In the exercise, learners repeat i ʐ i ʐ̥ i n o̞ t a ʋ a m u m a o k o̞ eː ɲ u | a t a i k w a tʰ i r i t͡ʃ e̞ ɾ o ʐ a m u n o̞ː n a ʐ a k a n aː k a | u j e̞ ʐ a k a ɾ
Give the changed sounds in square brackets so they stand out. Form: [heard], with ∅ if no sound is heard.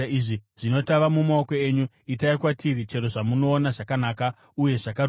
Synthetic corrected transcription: i ʐ i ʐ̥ i n o̞ t a ʋ a m u m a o k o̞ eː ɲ u | [i] t a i k w a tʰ i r i t͡ʃ e̞ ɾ o ʐ a m u n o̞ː n a ʐ a k a n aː k a | u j e̞ ʐ a k a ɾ